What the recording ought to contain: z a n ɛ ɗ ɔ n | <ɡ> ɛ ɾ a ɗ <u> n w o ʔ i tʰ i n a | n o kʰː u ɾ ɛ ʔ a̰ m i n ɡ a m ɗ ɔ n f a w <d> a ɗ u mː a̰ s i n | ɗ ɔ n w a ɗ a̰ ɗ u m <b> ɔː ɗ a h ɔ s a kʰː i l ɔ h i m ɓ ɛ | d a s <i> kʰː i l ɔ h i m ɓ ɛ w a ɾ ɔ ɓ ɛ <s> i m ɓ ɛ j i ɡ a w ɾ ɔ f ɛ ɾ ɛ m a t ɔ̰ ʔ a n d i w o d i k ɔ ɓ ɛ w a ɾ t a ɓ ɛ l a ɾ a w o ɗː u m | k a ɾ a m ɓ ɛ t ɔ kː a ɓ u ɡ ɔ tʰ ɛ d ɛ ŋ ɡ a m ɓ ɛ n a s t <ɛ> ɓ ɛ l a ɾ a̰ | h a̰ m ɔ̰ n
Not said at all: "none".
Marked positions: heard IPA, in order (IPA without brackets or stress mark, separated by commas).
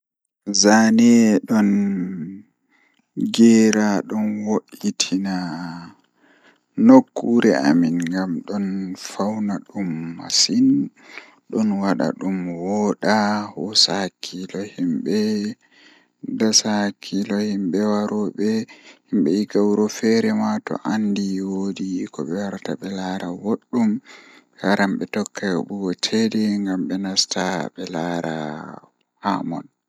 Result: ɡ, ɔ, n, w, a, h, a